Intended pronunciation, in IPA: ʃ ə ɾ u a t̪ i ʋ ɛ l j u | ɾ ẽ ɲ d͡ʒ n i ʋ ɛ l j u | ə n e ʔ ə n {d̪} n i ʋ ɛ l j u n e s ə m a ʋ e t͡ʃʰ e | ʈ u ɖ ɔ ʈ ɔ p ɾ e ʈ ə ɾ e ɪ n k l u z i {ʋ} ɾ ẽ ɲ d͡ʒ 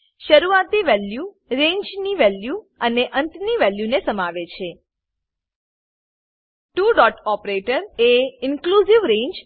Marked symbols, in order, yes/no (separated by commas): no, yes